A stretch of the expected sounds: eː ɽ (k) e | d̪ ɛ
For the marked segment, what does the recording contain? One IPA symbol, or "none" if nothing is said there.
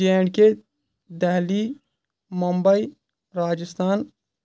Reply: k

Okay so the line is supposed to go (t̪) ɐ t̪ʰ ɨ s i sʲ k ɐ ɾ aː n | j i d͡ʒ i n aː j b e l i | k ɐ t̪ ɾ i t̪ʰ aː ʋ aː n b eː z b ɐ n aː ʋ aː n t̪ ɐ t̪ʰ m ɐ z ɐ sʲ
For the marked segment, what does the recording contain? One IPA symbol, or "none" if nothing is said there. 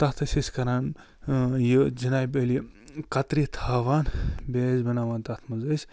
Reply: t̪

